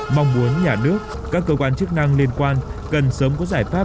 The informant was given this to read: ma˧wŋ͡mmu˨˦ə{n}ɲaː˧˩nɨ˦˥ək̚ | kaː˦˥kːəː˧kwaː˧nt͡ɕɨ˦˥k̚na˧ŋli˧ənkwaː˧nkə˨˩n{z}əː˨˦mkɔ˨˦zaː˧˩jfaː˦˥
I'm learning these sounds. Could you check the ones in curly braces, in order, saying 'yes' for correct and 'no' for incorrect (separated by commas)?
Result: yes, no